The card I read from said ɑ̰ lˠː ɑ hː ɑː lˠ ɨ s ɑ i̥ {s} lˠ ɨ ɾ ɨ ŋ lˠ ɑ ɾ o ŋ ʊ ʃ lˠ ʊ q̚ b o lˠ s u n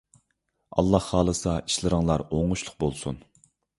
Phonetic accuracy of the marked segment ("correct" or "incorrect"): incorrect